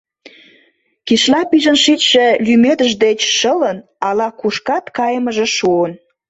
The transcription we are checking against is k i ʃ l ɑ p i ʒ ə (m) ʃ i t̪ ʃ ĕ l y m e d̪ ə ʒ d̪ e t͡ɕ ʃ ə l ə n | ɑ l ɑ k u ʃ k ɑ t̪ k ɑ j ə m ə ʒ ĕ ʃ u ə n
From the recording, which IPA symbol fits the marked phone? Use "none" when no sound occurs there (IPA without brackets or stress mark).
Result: n